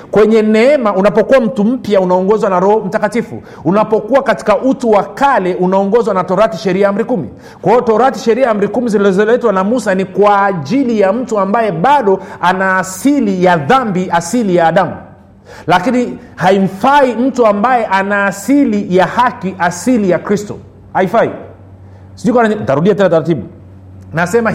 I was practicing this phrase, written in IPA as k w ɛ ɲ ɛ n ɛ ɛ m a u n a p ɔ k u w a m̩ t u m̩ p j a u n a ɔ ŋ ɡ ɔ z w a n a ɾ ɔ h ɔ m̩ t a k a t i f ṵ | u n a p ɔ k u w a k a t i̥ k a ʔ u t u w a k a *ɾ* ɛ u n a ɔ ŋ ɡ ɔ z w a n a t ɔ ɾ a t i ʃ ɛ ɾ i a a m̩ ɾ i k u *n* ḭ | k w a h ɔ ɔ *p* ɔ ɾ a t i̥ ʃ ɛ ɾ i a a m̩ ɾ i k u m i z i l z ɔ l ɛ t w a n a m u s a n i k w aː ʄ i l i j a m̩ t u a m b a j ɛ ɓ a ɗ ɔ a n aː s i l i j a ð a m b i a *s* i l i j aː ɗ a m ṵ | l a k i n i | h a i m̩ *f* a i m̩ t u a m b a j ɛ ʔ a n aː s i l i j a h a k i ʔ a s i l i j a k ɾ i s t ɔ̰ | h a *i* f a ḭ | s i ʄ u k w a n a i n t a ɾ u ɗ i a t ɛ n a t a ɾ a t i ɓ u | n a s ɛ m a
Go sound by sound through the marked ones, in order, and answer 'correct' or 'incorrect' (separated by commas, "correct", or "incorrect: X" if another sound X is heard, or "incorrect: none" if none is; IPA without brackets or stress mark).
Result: incorrect: l, incorrect: m, incorrect: t, correct, correct, correct